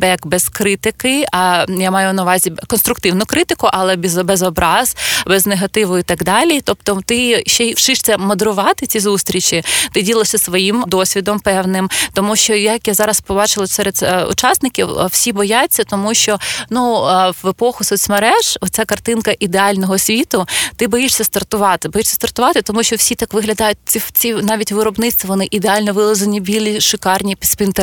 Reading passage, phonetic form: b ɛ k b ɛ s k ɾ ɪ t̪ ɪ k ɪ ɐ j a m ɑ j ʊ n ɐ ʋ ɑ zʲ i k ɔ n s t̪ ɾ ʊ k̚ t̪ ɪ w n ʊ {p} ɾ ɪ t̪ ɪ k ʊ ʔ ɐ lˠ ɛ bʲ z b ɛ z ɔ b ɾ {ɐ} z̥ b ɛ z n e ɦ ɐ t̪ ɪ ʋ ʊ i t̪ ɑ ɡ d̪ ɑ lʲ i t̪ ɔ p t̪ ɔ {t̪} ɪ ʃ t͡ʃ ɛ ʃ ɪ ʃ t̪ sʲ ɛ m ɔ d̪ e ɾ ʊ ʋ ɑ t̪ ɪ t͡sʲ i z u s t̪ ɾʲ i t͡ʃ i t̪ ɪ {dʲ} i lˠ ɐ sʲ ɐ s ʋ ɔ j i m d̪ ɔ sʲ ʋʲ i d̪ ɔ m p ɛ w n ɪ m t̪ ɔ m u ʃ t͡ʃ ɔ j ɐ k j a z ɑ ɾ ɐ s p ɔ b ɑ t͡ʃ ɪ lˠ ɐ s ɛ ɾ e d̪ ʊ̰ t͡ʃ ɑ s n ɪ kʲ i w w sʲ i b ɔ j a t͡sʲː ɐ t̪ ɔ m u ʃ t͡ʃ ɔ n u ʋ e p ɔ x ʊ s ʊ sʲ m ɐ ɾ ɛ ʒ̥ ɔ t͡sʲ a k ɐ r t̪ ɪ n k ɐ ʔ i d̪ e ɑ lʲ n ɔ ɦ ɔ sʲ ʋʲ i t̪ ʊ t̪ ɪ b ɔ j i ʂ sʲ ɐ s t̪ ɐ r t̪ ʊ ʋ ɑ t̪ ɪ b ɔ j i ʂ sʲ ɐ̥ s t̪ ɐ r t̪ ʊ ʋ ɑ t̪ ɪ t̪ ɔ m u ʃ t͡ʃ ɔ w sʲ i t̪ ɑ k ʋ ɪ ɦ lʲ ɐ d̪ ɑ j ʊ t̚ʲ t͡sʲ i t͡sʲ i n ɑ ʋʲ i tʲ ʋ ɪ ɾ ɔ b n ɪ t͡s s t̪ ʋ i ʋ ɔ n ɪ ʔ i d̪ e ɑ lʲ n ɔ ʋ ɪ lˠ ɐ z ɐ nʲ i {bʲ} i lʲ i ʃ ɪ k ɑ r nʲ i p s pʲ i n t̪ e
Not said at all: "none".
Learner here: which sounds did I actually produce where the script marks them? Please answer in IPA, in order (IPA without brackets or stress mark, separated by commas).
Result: k, ɑ, t̪, dʲ, bʲ